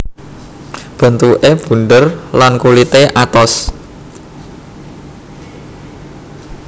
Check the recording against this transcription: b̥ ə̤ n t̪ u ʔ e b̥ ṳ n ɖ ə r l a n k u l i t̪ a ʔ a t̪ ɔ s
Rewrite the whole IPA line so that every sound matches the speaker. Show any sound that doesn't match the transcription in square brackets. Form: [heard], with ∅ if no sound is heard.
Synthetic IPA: b̥ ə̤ n t̪ u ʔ e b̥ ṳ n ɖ ə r l a n k u l i t̪ [e] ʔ a t̪ ɔ s